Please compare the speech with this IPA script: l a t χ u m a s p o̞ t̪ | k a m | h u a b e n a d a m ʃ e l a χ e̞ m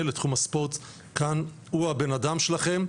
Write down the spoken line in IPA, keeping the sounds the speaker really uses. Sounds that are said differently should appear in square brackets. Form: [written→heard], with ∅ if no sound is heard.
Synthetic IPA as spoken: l [a→e] t χ u m a s p o̞ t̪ | k a [m→n] | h u a b e n a d a m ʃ e l a χ e̞ m